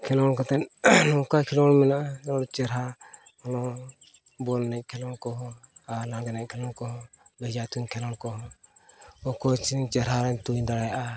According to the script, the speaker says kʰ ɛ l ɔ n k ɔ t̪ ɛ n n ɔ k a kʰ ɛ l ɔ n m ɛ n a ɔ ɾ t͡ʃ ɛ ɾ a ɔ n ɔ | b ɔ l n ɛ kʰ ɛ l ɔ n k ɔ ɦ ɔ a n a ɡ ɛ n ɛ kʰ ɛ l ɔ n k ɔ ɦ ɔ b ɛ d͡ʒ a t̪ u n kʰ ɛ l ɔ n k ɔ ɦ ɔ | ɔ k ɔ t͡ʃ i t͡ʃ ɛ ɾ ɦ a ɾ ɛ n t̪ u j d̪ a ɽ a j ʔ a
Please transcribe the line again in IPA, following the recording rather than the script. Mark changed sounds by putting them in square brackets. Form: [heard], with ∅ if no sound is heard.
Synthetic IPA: kʰ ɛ l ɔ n k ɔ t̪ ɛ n n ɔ k a kʰ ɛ l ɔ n m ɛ n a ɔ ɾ t͡ʃ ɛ ɾ a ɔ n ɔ | b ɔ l n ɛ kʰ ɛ l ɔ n k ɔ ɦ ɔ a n a ɡ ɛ n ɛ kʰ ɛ l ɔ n k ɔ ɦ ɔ b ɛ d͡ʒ a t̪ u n kʰ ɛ l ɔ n k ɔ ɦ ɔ | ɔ k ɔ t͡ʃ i t͡ʃ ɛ ɾ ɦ a ɾ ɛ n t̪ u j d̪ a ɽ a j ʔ a